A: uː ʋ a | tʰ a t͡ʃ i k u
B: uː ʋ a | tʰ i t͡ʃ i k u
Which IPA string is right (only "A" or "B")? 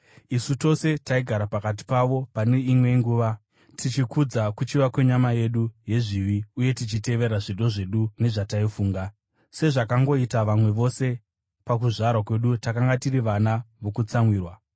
B